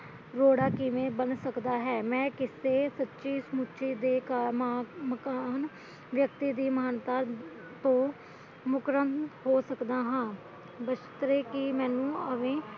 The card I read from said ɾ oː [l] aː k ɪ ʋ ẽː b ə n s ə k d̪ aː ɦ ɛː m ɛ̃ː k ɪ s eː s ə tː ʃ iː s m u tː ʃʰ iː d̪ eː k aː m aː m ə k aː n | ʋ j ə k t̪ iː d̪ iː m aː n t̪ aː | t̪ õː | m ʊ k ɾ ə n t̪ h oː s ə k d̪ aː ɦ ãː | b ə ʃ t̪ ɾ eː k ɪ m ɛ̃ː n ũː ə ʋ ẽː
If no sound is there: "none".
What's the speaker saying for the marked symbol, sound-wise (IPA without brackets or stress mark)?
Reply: ɽ